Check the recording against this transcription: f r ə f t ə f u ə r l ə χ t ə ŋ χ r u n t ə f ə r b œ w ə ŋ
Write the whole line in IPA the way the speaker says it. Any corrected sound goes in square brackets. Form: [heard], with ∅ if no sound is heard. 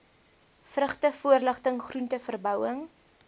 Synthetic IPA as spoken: f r ə [χ] t ə f u ə r l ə χ t ə ŋ χ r u n t ə f ə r b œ w ə ŋ